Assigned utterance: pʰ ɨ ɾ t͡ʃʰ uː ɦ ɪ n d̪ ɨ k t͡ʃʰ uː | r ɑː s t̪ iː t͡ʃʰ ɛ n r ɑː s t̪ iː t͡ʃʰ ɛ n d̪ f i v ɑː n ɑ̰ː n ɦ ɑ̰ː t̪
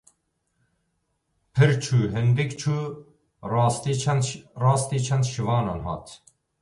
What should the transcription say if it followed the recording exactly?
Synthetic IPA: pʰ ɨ ɾ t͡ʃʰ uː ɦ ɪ n d̪ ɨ k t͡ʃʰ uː | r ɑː s t̪ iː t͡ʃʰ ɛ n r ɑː s t̪ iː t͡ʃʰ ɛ n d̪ ʃ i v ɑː n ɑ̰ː n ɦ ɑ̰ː t̪